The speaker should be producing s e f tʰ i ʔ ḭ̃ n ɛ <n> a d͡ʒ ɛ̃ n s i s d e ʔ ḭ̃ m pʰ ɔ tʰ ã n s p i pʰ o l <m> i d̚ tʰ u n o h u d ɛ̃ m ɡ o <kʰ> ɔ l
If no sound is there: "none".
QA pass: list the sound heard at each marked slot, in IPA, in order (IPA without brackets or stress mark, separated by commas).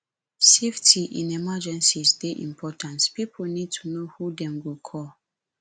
m, n, kʰ